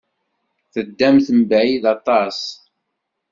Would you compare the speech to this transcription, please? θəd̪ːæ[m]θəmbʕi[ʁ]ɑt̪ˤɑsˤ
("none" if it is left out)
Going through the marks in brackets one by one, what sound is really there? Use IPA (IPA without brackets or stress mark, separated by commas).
m, ð